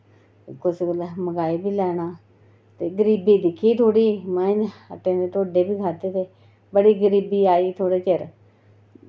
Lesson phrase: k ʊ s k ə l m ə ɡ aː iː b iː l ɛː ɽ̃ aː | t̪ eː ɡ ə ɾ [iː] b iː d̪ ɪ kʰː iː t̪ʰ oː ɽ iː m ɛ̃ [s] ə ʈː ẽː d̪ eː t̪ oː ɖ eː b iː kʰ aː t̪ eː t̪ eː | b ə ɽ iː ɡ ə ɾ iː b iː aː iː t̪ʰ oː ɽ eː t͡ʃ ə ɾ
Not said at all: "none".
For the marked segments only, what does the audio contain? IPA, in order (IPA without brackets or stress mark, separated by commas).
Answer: iː, none